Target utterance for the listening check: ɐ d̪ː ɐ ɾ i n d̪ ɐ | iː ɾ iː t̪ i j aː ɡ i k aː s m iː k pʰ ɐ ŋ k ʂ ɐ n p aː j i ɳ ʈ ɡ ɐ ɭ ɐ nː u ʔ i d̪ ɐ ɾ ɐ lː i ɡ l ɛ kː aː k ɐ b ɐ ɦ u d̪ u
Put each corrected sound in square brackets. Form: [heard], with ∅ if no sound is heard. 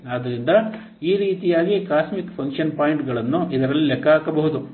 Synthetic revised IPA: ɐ [d̪] ɐ ɾ i n d̪ ɐ | iː ɾ iː t̪ i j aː ɡ i k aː s m [i] k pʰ ɐ ŋ k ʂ ɐ n p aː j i ɳ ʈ ɡ ɐ ɭ ɐ nː u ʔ i d̪ ɐ ɾ ɐ lː i [∅] l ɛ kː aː k ɐ b ɐ ɦ u d̪ u